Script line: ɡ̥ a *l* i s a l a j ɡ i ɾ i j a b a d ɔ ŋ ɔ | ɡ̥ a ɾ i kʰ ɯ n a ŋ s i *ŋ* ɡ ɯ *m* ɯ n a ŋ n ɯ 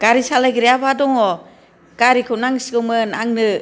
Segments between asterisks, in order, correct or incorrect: incorrect: ɾ, incorrect: none, correct

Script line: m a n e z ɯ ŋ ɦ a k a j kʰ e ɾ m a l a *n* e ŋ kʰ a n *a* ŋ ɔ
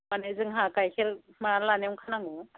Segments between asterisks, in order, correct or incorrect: correct, correct

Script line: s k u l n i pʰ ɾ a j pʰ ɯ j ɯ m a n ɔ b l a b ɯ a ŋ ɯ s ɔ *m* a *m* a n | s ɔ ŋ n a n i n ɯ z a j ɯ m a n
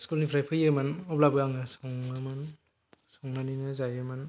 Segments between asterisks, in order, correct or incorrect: incorrect: ŋ, correct

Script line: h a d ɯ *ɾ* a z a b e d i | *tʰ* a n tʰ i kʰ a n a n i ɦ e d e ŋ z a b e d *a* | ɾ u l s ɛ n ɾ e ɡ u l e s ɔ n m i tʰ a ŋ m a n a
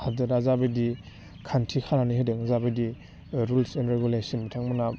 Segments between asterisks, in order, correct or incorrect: correct, incorrect: kʰ, incorrect: i

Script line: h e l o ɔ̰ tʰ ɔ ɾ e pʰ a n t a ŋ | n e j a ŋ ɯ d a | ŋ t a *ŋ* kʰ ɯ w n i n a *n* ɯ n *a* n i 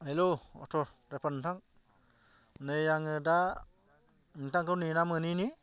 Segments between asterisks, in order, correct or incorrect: correct, incorrect: m, incorrect: i

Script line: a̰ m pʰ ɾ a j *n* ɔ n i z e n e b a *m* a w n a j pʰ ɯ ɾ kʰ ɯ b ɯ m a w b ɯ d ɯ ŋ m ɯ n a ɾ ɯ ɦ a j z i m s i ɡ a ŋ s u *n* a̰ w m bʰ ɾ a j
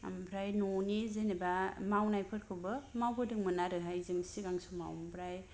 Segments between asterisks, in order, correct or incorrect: correct, correct, incorrect: m

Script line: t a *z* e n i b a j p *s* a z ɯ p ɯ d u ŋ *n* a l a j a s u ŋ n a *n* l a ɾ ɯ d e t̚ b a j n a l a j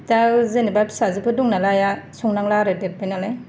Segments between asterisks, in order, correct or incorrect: correct, correct, correct, incorrect: ŋ

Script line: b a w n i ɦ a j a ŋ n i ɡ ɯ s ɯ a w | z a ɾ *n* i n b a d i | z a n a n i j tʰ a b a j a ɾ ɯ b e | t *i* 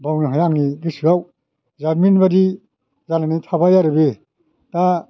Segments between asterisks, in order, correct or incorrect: incorrect: m, incorrect: a

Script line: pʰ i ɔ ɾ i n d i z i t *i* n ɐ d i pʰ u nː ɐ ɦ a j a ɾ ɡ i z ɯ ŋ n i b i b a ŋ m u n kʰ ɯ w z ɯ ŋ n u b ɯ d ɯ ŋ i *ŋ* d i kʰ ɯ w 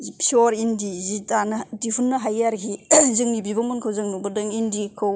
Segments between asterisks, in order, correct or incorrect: incorrect: a, incorrect: n

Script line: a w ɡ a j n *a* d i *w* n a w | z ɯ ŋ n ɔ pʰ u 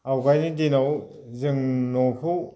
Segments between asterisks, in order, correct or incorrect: incorrect: i, incorrect: none

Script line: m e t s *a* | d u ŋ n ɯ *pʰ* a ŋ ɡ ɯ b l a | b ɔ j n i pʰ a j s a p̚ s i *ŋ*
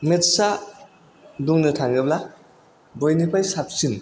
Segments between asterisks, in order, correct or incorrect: correct, incorrect: tʰ, incorrect: n

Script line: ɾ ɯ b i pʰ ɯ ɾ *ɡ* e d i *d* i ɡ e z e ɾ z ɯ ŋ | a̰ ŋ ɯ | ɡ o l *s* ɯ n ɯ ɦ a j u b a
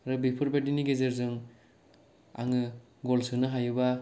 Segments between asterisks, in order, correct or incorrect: incorrect: b, incorrect: n, correct

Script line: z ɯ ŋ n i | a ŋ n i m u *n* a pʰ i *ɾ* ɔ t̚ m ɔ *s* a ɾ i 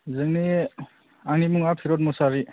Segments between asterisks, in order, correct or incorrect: incorrect: ŋ, correct, correct

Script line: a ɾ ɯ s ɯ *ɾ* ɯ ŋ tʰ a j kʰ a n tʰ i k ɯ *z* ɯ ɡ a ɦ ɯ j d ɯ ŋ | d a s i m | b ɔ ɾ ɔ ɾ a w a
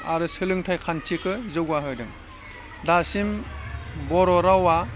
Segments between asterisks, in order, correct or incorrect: incorrect: l, correct

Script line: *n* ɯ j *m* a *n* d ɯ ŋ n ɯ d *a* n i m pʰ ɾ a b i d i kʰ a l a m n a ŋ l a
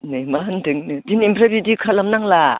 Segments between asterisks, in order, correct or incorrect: correct, correct, correct, incorrect: i

